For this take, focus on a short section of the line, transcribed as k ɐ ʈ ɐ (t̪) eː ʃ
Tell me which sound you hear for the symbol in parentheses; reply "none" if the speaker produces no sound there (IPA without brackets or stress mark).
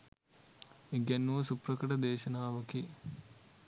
d̪